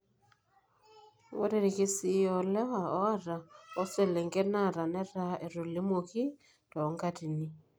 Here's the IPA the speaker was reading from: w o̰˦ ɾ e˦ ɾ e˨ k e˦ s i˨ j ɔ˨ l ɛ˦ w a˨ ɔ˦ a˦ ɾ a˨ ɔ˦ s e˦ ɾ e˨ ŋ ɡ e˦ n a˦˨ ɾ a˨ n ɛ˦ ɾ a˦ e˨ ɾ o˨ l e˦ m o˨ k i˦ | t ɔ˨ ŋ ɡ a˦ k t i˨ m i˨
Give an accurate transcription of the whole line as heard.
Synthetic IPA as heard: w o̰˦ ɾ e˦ ɾ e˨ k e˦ s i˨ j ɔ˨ l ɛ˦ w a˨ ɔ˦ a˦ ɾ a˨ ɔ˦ s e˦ l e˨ ŋ ɡ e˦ n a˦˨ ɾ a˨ n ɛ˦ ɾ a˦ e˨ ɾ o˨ l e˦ m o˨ k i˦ | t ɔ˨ ŋ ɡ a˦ t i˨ n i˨